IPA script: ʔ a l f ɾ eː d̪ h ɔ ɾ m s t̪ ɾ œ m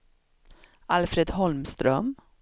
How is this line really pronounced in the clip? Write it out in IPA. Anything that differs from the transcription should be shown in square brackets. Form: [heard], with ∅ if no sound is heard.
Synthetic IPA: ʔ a l f ɾ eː d̪ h ɔ [l] m s t̪ ɾ œ m